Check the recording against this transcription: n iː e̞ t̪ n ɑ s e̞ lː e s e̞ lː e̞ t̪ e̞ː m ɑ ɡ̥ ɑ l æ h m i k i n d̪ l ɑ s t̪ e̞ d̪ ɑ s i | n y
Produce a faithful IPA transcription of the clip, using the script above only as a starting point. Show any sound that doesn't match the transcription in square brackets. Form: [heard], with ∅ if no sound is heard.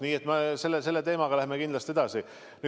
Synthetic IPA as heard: n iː e̞ t̪ [m] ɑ s e̞ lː e s e̞ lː e̞ t̪ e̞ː m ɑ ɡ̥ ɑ l æ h m [e] k i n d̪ l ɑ s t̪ e̞ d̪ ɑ s i | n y